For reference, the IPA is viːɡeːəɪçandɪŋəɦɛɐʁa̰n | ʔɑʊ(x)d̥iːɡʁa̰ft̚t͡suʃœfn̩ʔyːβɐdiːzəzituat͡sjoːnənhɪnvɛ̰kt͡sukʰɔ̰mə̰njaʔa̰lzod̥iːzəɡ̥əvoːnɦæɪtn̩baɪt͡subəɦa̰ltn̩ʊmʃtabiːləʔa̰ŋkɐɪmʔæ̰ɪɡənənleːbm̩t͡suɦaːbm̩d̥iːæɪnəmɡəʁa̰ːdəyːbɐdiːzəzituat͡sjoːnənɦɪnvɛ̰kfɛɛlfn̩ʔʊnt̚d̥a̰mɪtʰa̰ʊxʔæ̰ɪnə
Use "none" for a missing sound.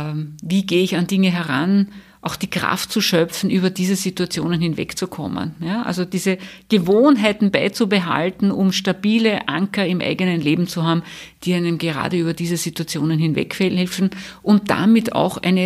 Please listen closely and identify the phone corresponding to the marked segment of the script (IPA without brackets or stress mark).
x